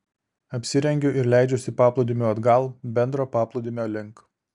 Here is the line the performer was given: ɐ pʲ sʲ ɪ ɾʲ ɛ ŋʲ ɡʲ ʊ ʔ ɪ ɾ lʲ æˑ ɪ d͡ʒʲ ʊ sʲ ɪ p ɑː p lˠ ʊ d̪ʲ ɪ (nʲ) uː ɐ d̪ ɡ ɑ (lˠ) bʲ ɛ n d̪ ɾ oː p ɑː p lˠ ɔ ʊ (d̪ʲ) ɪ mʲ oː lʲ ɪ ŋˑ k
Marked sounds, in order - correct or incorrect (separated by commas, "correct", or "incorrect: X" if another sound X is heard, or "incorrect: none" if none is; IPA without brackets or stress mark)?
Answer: incorrect: mʲ, correct, correct